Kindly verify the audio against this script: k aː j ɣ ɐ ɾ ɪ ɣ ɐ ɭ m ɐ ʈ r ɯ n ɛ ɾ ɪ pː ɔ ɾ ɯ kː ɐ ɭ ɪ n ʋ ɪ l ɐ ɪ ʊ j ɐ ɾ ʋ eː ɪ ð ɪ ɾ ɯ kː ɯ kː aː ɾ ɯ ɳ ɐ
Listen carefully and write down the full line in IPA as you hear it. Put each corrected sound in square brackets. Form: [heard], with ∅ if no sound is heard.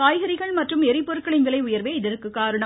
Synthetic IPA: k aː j ɣ ɐ ɾ ɪ ɣ ɐ ɭ m ɐ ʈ r ɯ [m] ɛ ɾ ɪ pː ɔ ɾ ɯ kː ɐ ɭ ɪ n ʋ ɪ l ɐ ɪ ʊ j ɐ ɾ ʋ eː ɪ ð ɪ ɾ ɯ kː ɯ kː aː ɾ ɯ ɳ ɐ

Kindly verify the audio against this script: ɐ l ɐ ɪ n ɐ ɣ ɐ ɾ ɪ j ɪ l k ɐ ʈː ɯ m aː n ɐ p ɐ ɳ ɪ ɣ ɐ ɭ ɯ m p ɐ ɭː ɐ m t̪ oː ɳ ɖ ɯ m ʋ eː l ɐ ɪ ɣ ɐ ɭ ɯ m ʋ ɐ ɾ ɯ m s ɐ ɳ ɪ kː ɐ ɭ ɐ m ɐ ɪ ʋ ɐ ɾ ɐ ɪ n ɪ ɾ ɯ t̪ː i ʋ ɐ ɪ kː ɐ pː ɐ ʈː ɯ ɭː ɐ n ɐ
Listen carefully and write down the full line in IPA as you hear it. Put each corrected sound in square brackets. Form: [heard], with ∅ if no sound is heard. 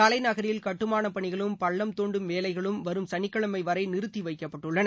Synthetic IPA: ɐ l ɐ ɪ n ɐ ɣ ɐ ɾ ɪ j ɪ l k ɐ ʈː ɯ m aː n ɐ p ɐ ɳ ɪ ɣ ɐ ɭ ɯ m p ɐ ɭː ɐ m t̪ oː ɳ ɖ ɯ m ʋ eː l ɐ ɪ ɣ ɐ ɭ ɯ m ʋ ɐ ɾ ɯ m s ɐ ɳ ɪ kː ɐ ɭ ɐ m ɐ ɪ ʋ ɐ ɾ ɐ ɪ n ɪ ɾ ɯ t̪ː i ʋ ɐ ɪ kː ɐ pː ɐ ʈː ɯ ɭː ɐ n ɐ

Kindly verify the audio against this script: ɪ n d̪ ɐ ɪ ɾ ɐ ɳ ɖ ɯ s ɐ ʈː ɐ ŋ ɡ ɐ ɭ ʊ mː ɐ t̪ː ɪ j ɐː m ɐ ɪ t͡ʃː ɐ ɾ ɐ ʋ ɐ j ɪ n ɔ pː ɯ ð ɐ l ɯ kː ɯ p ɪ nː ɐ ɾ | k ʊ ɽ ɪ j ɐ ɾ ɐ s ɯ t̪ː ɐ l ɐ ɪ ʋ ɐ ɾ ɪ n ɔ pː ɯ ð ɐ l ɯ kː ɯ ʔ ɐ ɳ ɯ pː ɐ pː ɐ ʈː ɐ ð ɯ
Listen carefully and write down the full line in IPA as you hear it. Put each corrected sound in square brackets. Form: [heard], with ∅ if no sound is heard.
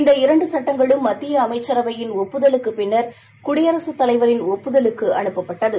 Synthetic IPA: ɪ n d̪ ɐ ɪ ɾ ɐ ɳ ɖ ɯ s ɐ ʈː ɐ ŋ ɡ ɐ ɭ [ɯ] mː ɐ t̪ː ɪ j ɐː m ɐ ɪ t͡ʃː ɐ ɾ ɐ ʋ ɐ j ɪ n ɔ pː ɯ ð ɐ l ɯ kː ɯ p ɪ nː ɐ ɾ | k ʊ ɽ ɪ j ɐ ɾ ɐ s ɯ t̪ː ɐ l ɐ ɪ ʋ ɐ ɾ ɪ n ɔ pː ɯ ð ɐ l ɯ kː ɯ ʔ ɐ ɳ ɯ pː ɐ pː ɐ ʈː ɐ ð ɯ

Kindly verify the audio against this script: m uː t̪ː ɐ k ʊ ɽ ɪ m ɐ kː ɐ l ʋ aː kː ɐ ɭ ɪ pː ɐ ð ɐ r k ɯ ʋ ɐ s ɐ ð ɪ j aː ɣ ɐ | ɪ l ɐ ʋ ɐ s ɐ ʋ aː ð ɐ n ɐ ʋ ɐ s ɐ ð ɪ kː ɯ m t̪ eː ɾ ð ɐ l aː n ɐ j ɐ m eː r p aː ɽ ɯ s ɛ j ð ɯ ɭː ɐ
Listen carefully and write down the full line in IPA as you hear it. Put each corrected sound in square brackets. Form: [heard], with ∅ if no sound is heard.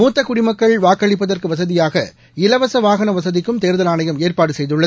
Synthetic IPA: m uː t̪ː ɐ k ʊ ɽ ɪ m ɐ kː ɐ [ɭ] ʋ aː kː ɐ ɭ ɪ pː ɐ ð ɐ r k ɯ ʋ ɐ s ɐ ð ɪ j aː ɣ ɐ | ɪ l ɐ ʋ ɐ s ɐ ʋ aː [ɣ] ɐ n ɐ ʋ ɐ s ɐ ð ɪ kː ɯ m t̪ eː ɾ ð ɐ l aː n ɐ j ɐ m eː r p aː ɽ ɯ s ɛ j ð ɯ ɭː ɐ

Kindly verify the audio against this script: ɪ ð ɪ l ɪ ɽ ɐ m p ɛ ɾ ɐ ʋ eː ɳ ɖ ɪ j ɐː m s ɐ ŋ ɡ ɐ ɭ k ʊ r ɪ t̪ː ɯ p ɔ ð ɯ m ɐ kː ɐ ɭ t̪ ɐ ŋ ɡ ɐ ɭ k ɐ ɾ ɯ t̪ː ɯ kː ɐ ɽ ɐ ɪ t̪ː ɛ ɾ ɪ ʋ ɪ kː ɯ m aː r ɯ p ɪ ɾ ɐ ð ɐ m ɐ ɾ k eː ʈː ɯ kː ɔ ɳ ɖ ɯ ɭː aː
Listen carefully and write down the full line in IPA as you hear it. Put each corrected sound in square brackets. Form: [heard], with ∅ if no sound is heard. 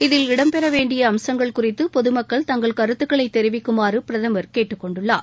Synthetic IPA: ɪ ð ɪ l ɪ ɽ ɐ m p ɛ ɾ ɐ ʋ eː ɳ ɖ ɪ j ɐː m s ɐ ŋ ɡ ɐ ɭ k ʊ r ɪ t̪ː ɯ p ɔ ð ɯ m ɐ kː ɐ ɭ t̪ ɐ ŋ ɡ ɐ ɭ k ɐ ɾ ɯ t̪ː ɯ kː ɐ [ɭ] ɐ ɪ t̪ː ɛ ɾ ɪ ʋ ɪ kː ɯ m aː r ɯ p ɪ ɾ ɐ ð ɐ m ɐ ɾ k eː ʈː ɯ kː ɔ ɳ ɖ ɯ ɭː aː

